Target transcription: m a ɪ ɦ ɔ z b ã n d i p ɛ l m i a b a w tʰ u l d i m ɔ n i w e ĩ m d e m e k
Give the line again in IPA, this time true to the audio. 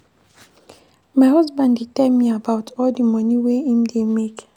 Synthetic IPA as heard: m a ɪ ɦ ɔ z b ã n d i t ɛ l m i a b a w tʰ ɔ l d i m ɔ n i w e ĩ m d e m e k